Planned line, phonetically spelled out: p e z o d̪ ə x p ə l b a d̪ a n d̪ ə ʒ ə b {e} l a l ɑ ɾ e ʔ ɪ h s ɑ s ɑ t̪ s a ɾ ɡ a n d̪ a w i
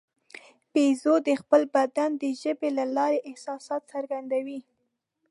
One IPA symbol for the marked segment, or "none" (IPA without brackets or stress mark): e